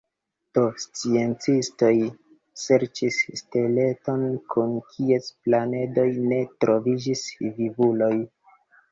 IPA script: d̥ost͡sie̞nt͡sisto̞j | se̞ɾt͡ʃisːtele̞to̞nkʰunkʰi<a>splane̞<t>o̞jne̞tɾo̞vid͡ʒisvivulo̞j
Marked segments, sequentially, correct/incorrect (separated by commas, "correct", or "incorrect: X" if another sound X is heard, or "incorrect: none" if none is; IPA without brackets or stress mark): incorrect: e, incorrect: d